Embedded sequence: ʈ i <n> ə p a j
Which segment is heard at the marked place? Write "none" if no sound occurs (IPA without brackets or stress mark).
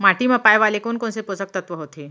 m